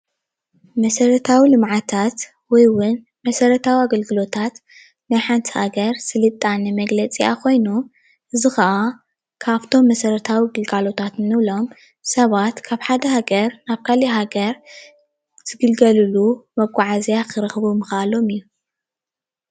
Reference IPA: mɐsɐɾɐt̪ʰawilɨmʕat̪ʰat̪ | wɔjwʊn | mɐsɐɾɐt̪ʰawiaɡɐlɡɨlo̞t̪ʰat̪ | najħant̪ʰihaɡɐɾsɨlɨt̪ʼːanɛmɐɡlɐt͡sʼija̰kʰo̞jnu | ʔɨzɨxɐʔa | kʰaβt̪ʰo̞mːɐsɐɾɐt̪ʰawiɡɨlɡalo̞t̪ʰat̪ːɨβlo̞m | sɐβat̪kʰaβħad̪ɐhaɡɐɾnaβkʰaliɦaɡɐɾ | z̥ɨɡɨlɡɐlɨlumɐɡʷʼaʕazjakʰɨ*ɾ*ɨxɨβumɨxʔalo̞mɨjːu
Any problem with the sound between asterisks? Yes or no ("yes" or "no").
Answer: no